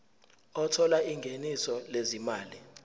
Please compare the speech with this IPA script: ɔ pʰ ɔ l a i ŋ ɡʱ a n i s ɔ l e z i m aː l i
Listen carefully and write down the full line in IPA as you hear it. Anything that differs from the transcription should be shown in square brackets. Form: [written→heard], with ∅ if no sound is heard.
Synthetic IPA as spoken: ɔ [pʰ→tʰ] ɔ l a i ŋ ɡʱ [a→e] n i s ɔ l e z i m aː l i